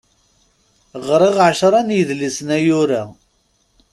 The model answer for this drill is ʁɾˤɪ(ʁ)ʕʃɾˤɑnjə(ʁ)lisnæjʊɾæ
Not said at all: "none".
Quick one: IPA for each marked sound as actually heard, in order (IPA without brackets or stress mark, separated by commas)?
ʁ, ð